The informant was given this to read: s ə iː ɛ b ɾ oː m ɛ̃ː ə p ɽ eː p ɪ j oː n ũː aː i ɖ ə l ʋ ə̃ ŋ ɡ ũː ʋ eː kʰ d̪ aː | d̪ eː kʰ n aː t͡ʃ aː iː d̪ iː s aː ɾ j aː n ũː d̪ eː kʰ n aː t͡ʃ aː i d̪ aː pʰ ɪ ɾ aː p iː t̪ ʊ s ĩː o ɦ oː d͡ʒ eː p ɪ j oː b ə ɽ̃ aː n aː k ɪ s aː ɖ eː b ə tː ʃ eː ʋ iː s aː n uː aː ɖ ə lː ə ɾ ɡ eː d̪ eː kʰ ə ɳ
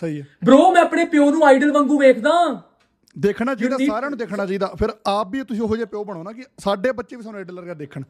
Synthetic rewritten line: s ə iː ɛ b ɾ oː m ɛ̃ː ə p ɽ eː p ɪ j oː n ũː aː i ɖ ə l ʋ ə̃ ŋ ɡ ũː ʋ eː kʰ d̪ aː | d̪ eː kʰ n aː t͡ʃ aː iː d̪ aː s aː ɾ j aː n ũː d̪ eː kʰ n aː t͡ʃ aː i d̪ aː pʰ ɪ ɾ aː p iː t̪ ʊ s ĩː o ɦ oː d͡ʒ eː p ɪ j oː b ə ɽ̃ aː n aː k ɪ s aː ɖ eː b ə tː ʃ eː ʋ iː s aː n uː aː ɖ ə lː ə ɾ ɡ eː d̪ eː kʰ ə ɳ